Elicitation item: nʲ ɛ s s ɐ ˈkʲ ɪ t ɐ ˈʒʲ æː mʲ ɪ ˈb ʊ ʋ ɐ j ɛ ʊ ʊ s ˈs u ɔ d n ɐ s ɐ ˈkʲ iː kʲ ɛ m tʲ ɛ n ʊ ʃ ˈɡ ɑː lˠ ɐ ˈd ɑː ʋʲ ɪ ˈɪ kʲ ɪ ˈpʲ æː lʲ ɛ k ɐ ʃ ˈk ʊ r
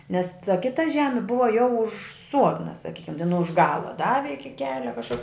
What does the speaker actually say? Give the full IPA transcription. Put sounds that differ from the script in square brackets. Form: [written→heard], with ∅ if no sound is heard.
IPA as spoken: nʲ ɛ s [s→t] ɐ ˈkʲ ɪ t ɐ ˈʒʲ æː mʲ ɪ ˈb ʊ ʋ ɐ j ɛ ʊ ʊ [s→ʃ] ˈs u ɔ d n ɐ s ɐ ˈkʲ iː kʲ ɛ m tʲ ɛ n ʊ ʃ ˈɡ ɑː lˠ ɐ ˈd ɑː ʋʲ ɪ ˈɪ kʲ ɪ [ˈpʲ→ˈkʲ] æː lʲ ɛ k ɐ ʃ ˈk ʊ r